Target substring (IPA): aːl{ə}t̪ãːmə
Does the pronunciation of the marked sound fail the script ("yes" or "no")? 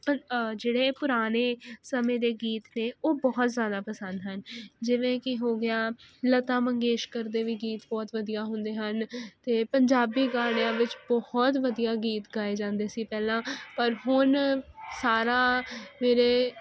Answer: no